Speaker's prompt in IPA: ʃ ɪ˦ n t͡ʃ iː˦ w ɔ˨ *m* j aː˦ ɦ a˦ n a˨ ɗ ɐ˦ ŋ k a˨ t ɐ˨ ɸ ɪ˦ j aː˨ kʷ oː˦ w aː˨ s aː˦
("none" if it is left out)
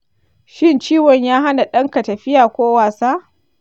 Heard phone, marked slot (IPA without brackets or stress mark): ɲ